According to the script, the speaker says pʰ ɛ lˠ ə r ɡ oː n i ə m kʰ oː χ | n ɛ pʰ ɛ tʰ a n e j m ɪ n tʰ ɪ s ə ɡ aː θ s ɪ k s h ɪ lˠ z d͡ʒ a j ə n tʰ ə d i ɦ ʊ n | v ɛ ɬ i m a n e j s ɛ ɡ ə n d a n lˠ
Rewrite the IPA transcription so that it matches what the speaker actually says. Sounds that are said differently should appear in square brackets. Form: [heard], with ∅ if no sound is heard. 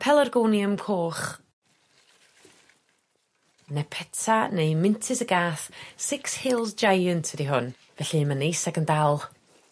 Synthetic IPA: pʰ ɛ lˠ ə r ɡ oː n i ə m kʰ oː χ | n ɛ pʰ ɛ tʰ a n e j m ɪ n tʰ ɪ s ə ɡ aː θ s ɪ k s h ɪ lˠ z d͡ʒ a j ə n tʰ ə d i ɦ ʊ n | v ɛ ɬ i m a n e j s ɛ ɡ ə n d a [∅] lˠ